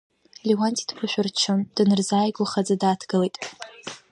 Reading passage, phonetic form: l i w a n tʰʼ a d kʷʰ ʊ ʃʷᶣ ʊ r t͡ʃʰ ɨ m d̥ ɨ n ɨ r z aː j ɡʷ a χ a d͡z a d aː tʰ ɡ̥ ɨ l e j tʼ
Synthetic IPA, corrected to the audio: l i w a n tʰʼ i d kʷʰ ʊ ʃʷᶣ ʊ r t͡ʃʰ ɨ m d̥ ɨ n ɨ r z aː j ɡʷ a χ a d͡z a d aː tʰ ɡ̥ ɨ l e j tʼ